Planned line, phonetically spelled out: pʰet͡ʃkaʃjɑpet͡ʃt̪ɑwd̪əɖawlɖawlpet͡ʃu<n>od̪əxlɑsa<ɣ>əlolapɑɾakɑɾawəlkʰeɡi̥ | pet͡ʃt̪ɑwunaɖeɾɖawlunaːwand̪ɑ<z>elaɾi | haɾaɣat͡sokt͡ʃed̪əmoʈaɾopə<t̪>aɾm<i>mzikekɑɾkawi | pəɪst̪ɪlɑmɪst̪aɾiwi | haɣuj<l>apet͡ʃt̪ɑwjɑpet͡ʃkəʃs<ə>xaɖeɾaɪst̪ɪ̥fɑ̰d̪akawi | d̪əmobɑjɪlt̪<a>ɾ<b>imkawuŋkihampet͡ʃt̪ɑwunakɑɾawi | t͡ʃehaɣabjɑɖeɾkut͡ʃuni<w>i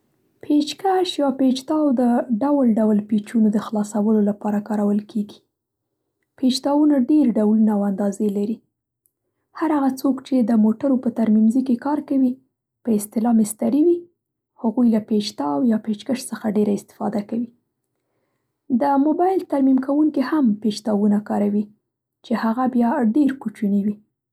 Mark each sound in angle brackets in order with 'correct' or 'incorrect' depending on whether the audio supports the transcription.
correct, incorrect: w, correct, correct, correct, correct, correct, correct, incorrect: m, correct

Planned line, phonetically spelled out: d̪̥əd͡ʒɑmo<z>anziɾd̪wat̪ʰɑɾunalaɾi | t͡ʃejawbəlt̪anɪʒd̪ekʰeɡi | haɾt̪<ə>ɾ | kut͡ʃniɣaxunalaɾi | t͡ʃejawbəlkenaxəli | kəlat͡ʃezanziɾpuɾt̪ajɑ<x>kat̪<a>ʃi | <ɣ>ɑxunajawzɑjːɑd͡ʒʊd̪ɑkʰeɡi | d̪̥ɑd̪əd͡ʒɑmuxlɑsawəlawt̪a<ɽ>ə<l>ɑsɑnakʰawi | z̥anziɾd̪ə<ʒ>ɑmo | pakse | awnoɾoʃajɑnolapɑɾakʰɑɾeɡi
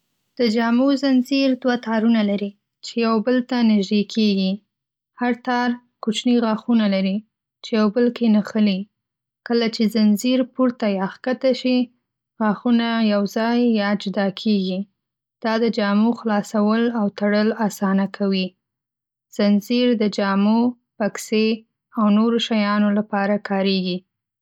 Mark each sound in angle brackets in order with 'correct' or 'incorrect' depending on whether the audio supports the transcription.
correct, incorrect: ɑ, correct, correct, correct, correct, correct, incorrect: d͡ʒ

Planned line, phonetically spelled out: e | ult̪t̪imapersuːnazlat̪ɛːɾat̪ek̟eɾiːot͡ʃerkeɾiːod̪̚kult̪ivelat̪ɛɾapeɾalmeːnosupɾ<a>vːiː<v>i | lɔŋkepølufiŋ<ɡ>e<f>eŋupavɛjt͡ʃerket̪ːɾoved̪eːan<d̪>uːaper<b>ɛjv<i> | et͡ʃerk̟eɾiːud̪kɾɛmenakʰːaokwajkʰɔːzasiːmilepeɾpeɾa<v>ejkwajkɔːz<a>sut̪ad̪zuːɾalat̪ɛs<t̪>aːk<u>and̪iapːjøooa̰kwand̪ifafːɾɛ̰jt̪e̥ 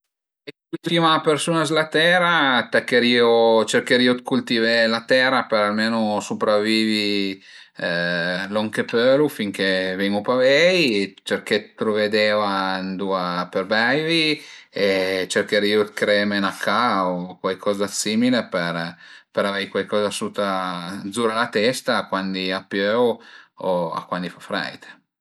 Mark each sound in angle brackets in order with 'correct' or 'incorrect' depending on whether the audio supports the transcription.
correct, correct, incorrect: k, incorrect: v, correct, correct, correct, correct, correct, correct, incorrect: w

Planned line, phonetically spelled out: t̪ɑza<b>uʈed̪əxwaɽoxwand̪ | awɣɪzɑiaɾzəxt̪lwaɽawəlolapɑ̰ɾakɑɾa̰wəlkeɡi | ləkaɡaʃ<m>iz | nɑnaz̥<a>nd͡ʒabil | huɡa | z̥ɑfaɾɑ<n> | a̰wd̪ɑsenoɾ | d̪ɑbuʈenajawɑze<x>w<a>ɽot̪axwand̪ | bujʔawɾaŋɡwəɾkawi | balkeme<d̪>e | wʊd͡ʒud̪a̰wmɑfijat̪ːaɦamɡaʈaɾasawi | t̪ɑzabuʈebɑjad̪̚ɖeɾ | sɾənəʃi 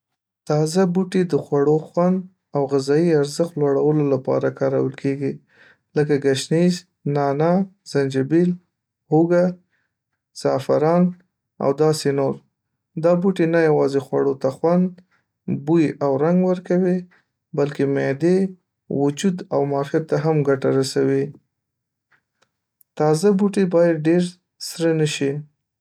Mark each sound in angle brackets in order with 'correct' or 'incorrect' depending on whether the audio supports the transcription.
correct, incorrect: n, correct, correct, correct, correct, correct

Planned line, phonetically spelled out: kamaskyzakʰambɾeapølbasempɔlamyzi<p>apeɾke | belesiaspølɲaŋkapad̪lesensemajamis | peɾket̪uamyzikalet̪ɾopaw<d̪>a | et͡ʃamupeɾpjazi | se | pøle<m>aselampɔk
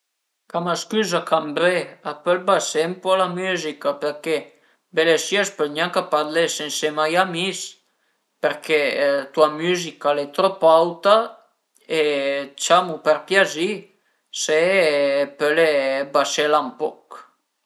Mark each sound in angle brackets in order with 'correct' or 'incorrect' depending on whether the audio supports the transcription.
incorrect: k, incorrect: t̪, incorrect: b

